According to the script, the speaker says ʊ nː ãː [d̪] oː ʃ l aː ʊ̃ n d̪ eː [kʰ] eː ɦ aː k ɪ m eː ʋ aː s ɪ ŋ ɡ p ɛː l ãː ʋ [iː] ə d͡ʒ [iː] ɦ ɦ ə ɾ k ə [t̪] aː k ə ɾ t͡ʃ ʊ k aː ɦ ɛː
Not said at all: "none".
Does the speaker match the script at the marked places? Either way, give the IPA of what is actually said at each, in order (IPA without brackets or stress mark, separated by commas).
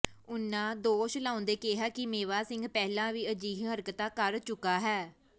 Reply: d̪, k, iː, iː, t̪